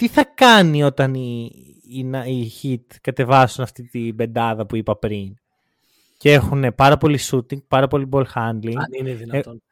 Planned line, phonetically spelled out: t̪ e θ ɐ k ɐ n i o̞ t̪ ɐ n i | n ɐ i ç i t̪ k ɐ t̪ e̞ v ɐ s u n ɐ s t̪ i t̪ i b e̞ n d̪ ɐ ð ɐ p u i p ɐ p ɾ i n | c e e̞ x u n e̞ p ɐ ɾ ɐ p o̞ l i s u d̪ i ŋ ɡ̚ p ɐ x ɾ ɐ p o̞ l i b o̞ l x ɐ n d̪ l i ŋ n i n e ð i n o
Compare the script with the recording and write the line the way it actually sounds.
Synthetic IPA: t̪ i θ ɐ k ɐ n i o̞ t̪ ɐ n i | n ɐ i ç i t̪ k ɐ t̪ e̞ v ɐ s u n ɐ f t̪ i t̪ i b e̞ n d̪ ɐ ð ɐ p u i p ɐ p ɾ i n | c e e̞ x u n e̞ p ɐ ɾ ɐ p o̞ l i s u t̪ i ŋ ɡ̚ p ɐ ɾ ɐ p o̞ l i b o̞ l x ɐ n d̪ l i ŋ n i n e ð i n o